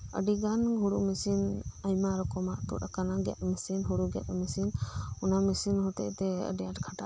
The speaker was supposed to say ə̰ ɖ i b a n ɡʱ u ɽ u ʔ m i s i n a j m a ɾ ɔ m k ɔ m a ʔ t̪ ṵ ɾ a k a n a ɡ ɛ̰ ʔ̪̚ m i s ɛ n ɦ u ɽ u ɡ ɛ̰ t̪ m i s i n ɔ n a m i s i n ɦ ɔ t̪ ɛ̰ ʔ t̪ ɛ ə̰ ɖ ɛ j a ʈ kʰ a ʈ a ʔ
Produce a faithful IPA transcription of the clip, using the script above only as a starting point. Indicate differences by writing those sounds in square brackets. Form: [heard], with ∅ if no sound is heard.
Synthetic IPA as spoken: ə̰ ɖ i [ɡ] a n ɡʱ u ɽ u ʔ m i s i n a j m a ɾ ɔ [∅] k ɔ m a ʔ t̪ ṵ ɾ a k a n a ɡ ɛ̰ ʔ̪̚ m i s [i] n ɦ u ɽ u ɡ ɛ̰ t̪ m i s i n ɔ n a m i s i n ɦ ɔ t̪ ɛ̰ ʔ t̪ ɛ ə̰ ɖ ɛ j a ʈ kʰ a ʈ a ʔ

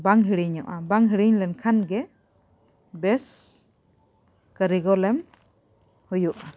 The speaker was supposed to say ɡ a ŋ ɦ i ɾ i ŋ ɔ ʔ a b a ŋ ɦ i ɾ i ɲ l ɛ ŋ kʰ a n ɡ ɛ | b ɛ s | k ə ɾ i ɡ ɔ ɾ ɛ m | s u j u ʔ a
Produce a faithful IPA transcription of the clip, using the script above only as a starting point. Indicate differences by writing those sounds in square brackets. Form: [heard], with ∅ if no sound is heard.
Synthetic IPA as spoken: [b] a ŋ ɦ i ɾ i [ɲ] ɔ ʔ a b a ŋ ɦ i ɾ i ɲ l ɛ [n] kʰ a n ɡ ɛ | b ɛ s | k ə ɾ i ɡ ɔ [l] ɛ m | [h] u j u ʔ a

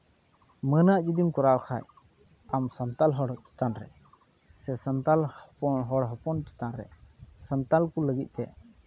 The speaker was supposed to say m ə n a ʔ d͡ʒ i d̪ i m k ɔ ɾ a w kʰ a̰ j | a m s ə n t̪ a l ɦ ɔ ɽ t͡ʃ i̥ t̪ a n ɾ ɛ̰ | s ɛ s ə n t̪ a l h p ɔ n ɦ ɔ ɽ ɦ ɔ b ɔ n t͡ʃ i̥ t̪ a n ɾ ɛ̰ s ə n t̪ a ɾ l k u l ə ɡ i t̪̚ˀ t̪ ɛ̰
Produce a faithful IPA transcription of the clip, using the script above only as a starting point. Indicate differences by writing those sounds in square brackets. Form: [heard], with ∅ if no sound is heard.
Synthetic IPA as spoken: m ə n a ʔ d͡ʒ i d̪ i m k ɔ ɾ a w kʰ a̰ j | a m s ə n t̪ a l ɦ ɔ ɽ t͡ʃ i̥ t̪ a n ɾ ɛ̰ | s ɛ s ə n t̪ a l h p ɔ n ɦ ɔ ɽ ɦ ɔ [p] ɔ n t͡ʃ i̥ t̪ a n ɾ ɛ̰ s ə n t̪ a [∅] l k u l ə ɡ i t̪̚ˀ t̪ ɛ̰

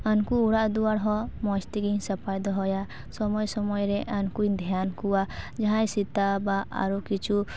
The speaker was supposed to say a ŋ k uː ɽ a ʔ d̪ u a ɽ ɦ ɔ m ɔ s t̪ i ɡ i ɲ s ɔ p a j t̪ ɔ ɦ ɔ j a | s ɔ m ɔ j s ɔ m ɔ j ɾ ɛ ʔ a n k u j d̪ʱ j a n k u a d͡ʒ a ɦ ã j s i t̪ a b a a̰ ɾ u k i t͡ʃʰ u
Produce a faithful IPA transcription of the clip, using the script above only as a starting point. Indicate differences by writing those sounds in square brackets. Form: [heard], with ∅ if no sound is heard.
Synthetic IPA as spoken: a [n] k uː ɽ a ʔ d̪ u a ɽ ɦ ɔ m ɔ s t̪ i ɡ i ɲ s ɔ p a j [d̪] ɔ ɦ ɔ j a | s ɔ m ɔ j s ɔ m ɔ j ɾ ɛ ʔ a n k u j d̪ʱ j a n k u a d͡ʒ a ɦ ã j s i t̪ a b a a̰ ɾ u k i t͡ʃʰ u

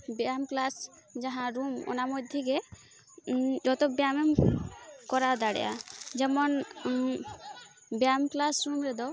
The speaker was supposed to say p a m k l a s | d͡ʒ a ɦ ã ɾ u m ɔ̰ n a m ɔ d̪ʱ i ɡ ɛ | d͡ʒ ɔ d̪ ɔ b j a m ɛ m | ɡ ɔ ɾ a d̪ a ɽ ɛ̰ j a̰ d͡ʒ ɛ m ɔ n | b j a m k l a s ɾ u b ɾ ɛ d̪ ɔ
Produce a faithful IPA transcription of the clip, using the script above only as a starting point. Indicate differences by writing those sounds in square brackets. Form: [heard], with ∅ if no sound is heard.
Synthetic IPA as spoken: [b] a m k l a s | d͡ʒ a ɦ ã ɾ u m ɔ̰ n a m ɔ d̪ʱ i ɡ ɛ | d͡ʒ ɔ [t̪] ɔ b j a m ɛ m | [k] ɔ ɾ a d̪ a ɽ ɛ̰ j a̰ d͡ʒ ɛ m ɔ n | b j a m k l a s ɾ u [m] ɾ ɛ d̪ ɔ

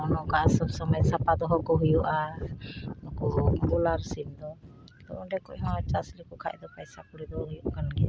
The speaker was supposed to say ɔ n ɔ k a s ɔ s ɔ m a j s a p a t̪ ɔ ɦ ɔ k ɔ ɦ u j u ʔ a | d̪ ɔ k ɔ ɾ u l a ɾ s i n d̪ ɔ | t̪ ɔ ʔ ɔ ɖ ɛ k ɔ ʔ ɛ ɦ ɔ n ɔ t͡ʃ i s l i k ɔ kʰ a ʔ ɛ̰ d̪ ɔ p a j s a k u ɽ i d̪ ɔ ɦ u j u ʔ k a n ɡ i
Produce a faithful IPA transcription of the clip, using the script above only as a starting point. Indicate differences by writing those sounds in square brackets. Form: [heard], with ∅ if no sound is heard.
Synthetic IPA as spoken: ɔ n ɔ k a s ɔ s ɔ m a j s a p a [d̪] ɔ ɦ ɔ k ɔ ɦ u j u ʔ a | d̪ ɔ k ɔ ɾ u l a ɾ s i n d̪ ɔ | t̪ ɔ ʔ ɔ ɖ ɛ k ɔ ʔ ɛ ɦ ɔ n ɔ t͡ʃ [a] s l i k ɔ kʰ a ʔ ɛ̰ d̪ ɔ p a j s a k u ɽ i d̪ ɔ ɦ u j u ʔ k a n ɡ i

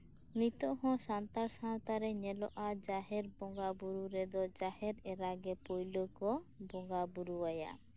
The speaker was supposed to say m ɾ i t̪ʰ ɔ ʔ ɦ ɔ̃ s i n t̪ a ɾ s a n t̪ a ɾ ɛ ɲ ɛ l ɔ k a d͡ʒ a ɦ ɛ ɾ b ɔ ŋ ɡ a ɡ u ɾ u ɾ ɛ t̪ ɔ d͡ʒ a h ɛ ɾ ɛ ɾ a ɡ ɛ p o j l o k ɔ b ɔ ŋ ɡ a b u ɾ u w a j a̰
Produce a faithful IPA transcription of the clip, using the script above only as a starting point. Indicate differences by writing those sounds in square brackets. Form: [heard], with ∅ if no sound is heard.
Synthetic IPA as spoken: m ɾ i [t̪] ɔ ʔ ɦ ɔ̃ s [a] n t̪ a ɾ s a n t̪ a ɾ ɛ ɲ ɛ l ɔ [ʔ] a d͡ʒ a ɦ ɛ ɾ b ɔ ŋ ɡ a [b] u ɾ u ɾ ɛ [d̪] ɔ d͡ʒ a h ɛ ɾ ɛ ɾ a ɡ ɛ p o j l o k ɔ b ɔ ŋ ɡ a b u ɾ u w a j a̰

